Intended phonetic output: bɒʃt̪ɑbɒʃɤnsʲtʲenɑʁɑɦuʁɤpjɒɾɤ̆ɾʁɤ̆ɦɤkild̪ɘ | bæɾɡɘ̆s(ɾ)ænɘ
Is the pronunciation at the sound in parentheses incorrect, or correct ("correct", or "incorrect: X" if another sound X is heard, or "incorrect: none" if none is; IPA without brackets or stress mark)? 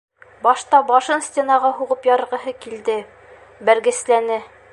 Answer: incorrect: l